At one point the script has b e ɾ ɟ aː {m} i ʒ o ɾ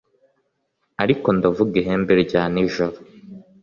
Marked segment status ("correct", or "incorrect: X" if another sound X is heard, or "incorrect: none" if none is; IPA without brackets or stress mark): incorrect: n